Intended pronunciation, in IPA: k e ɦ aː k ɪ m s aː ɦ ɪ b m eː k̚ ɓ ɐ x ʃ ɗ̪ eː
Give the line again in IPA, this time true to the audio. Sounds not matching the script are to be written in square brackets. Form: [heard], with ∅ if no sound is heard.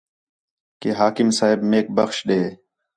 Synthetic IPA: k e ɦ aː k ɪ m s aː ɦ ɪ b m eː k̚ [b] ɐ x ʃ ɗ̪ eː